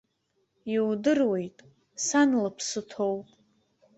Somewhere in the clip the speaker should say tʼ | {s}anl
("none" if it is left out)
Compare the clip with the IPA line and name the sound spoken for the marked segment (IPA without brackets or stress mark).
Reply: s